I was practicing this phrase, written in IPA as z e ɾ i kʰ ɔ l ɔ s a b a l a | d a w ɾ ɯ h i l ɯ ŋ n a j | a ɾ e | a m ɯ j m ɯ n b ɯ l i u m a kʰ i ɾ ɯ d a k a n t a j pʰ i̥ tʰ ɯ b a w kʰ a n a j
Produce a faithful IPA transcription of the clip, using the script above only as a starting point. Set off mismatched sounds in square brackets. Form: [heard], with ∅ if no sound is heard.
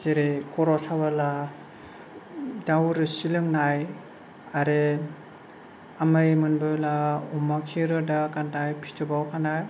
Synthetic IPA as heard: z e ɾ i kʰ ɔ [ɾ] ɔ s a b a l a | d a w ɾ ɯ [s] i l ɯ ŋ n a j | a ɾ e | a m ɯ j m ɯ n b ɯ l [a] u m a kʰ i ɾ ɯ d a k a n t a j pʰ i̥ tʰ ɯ b a w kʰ a n a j